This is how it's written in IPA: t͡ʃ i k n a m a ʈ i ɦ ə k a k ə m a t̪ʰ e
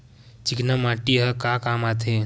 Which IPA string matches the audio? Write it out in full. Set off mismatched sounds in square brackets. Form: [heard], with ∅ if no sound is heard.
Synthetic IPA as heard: t͡ʃ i k n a m a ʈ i ɦ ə k a k [a] m a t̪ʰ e